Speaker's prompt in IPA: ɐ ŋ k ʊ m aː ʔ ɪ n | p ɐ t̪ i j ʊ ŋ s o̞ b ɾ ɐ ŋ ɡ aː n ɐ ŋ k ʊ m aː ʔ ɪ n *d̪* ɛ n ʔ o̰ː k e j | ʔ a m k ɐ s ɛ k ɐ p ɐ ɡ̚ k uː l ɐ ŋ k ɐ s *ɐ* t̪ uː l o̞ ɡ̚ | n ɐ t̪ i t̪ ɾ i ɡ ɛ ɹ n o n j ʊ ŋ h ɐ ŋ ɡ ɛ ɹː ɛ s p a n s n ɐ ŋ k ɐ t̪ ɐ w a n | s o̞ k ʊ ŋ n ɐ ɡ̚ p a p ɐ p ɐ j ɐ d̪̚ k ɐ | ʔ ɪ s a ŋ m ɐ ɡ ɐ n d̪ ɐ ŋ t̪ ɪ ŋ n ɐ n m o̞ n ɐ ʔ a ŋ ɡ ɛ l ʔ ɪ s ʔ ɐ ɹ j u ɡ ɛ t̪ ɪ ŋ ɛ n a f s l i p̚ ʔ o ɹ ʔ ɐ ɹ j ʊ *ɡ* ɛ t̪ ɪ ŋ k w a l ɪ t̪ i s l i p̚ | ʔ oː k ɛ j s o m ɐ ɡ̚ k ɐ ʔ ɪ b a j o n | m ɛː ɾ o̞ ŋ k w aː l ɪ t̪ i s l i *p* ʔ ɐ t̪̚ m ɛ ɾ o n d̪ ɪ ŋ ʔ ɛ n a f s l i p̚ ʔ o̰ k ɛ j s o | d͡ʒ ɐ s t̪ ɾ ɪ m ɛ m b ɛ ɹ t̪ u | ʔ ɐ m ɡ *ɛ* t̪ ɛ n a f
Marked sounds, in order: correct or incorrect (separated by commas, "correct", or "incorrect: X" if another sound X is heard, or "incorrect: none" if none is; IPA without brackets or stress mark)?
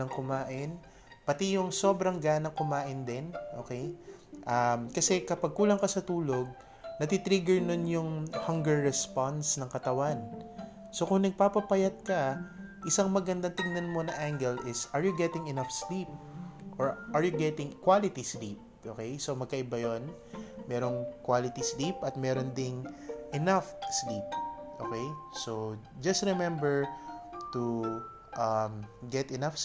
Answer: correct, correct, correct, correct, correct